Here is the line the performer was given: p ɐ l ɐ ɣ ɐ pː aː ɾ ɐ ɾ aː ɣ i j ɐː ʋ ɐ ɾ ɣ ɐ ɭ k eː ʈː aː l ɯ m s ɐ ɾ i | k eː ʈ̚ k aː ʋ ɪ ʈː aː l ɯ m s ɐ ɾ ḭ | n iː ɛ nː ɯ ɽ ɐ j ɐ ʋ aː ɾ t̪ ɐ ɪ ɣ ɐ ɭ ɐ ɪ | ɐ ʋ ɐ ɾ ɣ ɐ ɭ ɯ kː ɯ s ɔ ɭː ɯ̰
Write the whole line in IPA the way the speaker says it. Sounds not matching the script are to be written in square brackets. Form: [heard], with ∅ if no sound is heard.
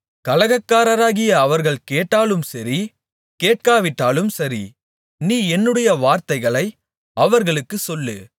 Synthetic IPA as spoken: [k] ɐ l ɐ ɣ ɐ [kː] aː ɾ ɐ ɾ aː ɣ [ɪ] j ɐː ʋ ɐ ɾ ɣ ɐ ɭ k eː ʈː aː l ɯ m s ɐ ɾ i | k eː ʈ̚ k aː ʋ ɪ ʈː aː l ɯ m s ɐ ɾ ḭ | n iː ɛ nː ɯ ɽ ɐ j ɐ ʋ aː ɾ t̪ ɐ ɪ ɣ ɐ ɭ ɐ ɪ | ɐ ʋ ɐ ɾ ɣ ɐ ɭ ɯ kː ɯ s ɔ [lː] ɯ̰